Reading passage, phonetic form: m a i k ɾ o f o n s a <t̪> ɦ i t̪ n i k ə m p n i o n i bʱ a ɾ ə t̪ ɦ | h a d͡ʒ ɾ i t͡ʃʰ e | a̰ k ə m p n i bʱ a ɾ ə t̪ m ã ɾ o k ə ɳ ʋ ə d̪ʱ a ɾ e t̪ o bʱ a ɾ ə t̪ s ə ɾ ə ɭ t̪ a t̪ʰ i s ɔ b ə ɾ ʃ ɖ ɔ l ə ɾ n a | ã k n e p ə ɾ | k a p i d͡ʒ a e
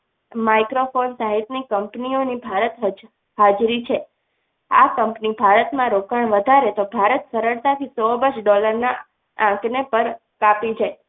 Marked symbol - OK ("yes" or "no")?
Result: no